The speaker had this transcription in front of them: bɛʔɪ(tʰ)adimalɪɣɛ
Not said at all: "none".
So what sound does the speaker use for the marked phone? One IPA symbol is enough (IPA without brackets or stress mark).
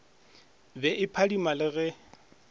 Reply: pʰ